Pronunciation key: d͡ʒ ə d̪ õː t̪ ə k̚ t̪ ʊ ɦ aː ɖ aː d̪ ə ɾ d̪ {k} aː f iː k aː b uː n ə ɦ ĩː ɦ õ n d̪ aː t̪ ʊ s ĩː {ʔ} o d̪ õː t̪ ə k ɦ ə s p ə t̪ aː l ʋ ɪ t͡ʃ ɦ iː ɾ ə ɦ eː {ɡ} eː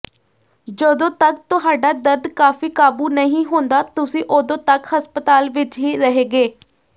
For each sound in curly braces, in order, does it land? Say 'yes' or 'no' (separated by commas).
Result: yes, yes, yes